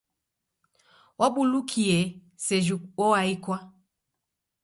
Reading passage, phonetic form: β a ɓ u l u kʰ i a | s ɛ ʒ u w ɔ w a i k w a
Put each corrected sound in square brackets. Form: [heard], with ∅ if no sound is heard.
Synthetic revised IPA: [w] a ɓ u l u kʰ i [ɛ] | s ɛ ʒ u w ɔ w a i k w a